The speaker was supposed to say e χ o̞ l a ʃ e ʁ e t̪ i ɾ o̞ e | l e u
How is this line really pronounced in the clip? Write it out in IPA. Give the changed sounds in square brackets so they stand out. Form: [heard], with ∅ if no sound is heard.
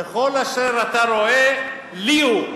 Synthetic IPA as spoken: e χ o̞ l a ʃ e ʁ [a] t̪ [a] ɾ o̞ e | l [i] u